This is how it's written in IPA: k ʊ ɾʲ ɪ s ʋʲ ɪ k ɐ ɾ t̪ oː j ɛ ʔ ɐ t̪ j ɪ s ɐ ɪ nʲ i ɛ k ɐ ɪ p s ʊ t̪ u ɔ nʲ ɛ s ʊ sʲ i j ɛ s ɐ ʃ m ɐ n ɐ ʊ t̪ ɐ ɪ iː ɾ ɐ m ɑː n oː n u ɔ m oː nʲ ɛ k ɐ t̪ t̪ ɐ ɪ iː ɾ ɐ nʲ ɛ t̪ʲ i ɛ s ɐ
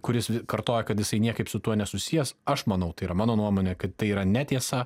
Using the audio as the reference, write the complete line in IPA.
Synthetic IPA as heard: k ʊ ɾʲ ɪ s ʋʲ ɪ k ɐ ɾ t̪ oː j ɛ k ɐ t̪ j ɪ s ɐ ɪ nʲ i ɛ k ɐ ɪ p s ʊ t̪ u ɔ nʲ ɛ s ʊ sʲ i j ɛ s ɐ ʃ m ɐ n ɐ ʊ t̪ ɐ ɪ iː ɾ ɐ m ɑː n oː n u ɔ m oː nʲ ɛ k ɐ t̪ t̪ ɐ ɪ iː ɾ ɐ nʲ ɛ t̪ʲ i ɛ s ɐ